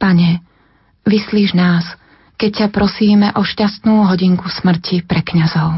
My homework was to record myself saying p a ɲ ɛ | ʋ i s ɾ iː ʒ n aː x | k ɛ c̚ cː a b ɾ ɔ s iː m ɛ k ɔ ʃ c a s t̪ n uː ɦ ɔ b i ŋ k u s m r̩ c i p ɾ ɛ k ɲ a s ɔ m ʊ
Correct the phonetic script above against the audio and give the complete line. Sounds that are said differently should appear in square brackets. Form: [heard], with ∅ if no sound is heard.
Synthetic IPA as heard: p a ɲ ɛ | ʋ i s [l] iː ʒ n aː [s] | k ɛ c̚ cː a [p] ɾ ɔ s iː m ɛ [ʔ] ɔ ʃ c a s t̪ n uː ɦ ɔ [ɟ] i ŋ k u s m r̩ c i p ɾ ɛ k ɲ a [z] ɔ [∅] ʊ